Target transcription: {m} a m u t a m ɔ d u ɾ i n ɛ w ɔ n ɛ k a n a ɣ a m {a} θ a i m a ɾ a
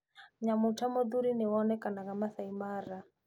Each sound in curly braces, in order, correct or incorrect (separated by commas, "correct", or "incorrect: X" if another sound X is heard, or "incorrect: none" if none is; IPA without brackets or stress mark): incorrect: ɲ, correct